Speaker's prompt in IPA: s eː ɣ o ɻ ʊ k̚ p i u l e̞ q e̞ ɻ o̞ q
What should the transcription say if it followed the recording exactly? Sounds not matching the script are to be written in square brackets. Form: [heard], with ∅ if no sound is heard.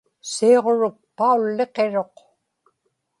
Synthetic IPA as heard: s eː [ʁ] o ɻ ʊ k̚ p [a] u [lː] e̞ q e̞ ɻ o̞ q